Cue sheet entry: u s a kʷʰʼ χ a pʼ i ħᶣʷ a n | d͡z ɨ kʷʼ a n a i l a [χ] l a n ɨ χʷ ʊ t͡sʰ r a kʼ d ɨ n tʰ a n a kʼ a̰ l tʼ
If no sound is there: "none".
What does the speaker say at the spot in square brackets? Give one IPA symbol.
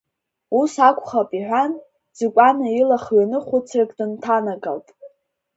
χ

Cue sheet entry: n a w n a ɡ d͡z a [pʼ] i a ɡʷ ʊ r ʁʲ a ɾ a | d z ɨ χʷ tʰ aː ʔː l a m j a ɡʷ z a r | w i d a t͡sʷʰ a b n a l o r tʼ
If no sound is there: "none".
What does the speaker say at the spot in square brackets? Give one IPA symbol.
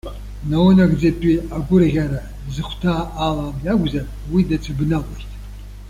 pʼ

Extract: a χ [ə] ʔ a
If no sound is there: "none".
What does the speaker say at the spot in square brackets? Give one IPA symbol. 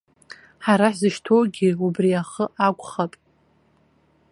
ə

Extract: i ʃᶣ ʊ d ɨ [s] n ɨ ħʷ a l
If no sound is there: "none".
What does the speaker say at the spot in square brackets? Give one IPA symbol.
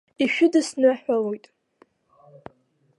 s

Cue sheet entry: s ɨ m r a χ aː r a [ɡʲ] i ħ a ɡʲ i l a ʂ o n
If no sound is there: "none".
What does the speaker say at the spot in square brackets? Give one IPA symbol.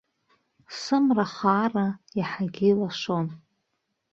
none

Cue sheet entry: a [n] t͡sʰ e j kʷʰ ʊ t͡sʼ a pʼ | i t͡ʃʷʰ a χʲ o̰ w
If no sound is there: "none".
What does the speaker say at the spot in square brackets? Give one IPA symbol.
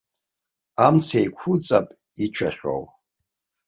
m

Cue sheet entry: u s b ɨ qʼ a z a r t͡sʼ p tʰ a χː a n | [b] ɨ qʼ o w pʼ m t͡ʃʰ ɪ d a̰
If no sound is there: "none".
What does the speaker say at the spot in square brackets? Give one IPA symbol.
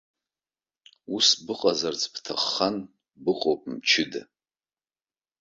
b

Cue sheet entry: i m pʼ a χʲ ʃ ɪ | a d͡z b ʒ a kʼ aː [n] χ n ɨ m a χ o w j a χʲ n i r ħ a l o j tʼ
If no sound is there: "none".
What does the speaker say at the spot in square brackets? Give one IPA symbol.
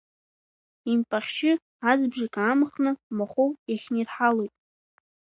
m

